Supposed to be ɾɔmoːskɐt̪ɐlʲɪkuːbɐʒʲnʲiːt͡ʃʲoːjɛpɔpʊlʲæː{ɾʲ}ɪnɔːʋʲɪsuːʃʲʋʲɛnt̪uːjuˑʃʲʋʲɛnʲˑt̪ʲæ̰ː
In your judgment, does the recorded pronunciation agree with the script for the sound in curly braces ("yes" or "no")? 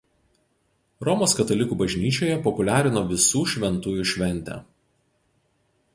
yes